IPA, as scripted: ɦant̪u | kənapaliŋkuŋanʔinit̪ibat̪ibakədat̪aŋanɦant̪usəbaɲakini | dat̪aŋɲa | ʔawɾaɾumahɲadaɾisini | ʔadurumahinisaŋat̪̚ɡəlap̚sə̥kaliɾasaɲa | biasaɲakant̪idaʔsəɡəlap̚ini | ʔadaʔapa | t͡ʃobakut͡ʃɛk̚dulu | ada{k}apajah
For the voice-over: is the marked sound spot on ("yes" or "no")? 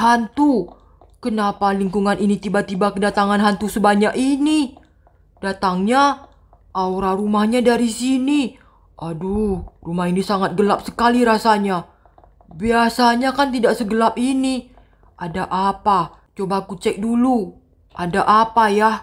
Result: no